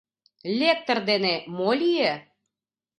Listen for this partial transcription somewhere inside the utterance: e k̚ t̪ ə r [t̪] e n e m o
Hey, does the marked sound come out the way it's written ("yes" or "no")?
no